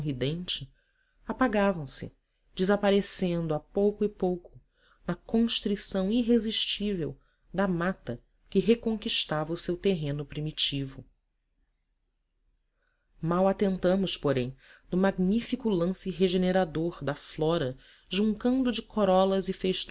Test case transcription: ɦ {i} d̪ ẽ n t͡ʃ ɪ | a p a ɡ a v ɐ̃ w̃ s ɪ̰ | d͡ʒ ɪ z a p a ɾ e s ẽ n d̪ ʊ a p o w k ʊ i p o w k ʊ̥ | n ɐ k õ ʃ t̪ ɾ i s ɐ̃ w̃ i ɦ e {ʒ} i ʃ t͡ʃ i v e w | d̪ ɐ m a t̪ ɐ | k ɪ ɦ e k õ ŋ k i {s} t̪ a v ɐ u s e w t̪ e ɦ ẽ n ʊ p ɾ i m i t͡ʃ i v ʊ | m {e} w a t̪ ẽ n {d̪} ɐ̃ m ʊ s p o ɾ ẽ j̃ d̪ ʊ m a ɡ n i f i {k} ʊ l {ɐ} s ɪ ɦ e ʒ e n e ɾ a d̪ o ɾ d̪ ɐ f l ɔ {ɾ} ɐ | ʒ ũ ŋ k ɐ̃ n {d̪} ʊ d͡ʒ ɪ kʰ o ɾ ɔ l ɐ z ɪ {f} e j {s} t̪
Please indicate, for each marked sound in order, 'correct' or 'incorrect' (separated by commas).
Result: correct, incorrect, incorrect, incorrect, incorrect, correct, incorrect, correct, correct, correct, incorrect